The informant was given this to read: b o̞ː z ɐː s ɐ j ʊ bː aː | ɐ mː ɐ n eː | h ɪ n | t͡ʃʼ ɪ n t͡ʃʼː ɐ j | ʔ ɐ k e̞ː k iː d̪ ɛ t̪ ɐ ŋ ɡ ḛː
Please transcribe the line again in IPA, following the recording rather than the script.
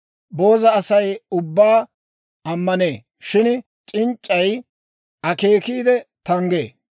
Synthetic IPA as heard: b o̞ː z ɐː s ɐ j ʊ bː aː | ɐ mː ɐ n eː | ʃ ɪ n | t͡ʃʼ ɪ n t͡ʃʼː ɐ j | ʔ ɐ k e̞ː k iː d̪ ɛ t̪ ɐ ŋ ɡ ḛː